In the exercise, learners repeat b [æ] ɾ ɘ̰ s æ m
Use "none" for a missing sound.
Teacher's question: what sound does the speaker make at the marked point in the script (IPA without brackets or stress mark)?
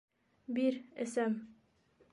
i